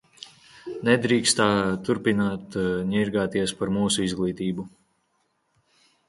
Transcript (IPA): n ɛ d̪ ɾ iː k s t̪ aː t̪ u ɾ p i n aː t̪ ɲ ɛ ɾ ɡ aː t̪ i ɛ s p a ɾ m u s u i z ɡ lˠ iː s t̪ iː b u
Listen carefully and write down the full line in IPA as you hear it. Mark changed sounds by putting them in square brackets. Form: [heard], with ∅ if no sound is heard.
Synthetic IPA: n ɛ d̪ ɾ iː k s t̪ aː t̪ u ɾ p i n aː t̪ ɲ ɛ ɾ ɡ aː t̪ i ɛ s p a ɾ m [uː] s u i z ɡ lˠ iː [∅] t̪ iː b u